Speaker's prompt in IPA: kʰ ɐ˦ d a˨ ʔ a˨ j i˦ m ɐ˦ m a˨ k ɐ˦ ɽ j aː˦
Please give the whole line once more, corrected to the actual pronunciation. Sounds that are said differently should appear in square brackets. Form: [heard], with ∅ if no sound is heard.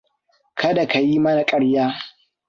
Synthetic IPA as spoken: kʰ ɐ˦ d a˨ [k] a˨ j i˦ m ɐ˦ [n] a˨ [kʼ] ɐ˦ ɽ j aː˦